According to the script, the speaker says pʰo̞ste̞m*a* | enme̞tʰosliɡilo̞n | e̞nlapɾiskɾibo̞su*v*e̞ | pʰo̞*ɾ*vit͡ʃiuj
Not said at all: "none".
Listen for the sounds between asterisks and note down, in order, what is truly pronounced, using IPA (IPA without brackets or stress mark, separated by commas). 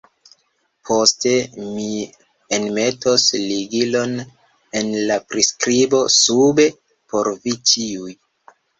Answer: i, b, ɾ